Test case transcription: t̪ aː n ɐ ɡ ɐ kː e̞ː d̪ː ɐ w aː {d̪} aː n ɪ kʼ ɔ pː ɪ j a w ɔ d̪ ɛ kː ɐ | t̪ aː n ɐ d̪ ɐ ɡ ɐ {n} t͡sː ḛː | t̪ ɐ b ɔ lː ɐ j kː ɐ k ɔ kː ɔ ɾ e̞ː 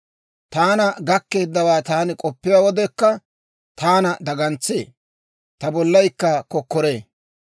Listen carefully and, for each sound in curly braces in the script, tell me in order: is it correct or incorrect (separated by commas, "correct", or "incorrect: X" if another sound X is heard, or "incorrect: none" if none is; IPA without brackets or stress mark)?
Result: incorrect: t̪, correct